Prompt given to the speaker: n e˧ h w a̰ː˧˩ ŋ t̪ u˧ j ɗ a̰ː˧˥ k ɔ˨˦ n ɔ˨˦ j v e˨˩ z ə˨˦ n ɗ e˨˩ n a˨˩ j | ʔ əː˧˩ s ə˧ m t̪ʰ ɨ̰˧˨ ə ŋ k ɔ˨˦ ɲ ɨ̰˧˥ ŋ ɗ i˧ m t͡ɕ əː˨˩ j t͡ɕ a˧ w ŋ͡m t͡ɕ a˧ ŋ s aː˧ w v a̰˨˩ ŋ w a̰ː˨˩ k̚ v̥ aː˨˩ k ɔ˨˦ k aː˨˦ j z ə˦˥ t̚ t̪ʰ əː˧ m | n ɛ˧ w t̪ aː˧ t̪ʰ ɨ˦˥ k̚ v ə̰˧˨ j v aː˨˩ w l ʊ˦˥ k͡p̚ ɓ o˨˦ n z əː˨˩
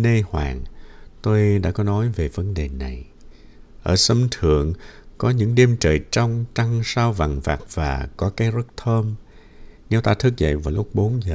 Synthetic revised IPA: n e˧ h w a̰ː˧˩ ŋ t̪ o˧ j ɗ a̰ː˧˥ k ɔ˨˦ n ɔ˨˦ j v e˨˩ v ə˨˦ n ɗ e˨˩ n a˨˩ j | ʔ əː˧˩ s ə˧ m t̪ʰ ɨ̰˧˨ ə ŋ k ɔ˨˦ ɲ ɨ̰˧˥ ŋ ɗ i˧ m t͡ɕ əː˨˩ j t͡ɕ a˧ w ŋ͡m t͡ɕ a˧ ŋ s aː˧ w v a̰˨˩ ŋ v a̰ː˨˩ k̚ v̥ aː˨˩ k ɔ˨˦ k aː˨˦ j z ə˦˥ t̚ t̪ʰ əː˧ m | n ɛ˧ w t̪ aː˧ t̪ʰ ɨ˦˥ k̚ z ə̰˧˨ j v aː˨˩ w l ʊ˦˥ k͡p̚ ɓ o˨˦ n z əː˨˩